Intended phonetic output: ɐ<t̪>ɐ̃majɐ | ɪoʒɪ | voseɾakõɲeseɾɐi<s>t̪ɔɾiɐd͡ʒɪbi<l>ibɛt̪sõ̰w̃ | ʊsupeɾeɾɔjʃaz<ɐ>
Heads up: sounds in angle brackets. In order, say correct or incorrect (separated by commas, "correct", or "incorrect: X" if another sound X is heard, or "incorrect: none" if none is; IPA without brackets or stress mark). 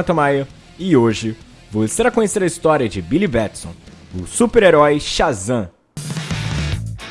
correct, correct, correct, incorrect: ɐ̃